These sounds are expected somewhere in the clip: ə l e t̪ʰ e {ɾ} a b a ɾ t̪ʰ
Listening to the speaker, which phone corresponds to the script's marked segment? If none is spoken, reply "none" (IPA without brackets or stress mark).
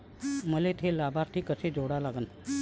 l